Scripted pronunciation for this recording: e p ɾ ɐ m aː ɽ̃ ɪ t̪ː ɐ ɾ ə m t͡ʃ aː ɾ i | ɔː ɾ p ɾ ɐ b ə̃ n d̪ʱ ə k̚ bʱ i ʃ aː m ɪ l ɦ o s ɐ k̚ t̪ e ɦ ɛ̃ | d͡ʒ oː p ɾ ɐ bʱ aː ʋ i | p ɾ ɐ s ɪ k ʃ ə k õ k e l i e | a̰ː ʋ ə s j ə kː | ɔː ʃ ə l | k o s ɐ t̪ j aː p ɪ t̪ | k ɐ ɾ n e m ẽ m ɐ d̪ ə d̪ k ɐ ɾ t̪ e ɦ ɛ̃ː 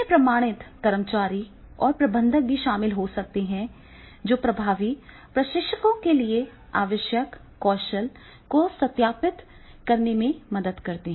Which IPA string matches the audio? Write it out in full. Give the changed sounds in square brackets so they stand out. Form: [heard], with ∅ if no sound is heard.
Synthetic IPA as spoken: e p ɾ ɐ m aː ɽ̃ ɪ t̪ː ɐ ɾ ə m t͡ʃ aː ɾ i | ɔː ɾ p ɾ ɐ b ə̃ n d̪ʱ ə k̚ bʱ i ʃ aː m ɪ l ɦ o s ɐ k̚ t̪ e ɦ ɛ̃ | d͡ʒ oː p ɾ ɐ bʱ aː ʋ i | p ɾ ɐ [ʃ] ɪ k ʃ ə k õ k e l i e | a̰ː ʋ ə [ʃ] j ə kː | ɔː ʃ ə l | k o s ɐ t̪ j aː p ɪ t̪ | k ɐ ɾ n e m ẽ m ɐ d̪ ə d̪ k ɐ ɾ t̪ e ɦ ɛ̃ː